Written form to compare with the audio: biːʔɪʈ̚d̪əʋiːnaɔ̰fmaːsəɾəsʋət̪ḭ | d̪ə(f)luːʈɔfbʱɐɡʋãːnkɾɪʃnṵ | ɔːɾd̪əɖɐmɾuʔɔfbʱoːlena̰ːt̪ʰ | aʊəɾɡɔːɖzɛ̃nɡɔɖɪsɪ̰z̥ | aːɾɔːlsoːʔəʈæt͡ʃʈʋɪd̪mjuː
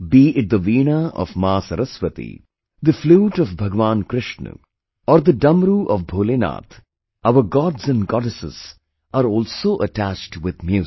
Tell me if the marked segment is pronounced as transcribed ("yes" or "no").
yes